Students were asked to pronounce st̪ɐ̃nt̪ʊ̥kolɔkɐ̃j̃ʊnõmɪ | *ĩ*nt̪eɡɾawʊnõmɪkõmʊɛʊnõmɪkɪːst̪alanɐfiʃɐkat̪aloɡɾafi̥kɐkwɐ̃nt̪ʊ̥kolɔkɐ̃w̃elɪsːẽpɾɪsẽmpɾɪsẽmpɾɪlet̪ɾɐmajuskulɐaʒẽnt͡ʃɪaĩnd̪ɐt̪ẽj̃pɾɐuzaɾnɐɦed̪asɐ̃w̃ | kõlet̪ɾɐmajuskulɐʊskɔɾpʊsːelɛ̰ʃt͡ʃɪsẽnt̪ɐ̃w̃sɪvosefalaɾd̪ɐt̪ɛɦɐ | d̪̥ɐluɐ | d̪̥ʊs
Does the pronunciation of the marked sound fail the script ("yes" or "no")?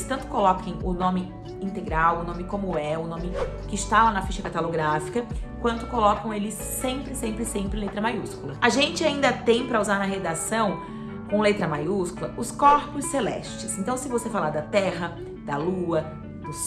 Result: no